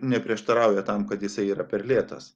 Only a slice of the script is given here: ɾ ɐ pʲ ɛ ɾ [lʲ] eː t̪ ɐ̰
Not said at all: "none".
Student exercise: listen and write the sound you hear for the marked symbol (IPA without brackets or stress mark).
lʲ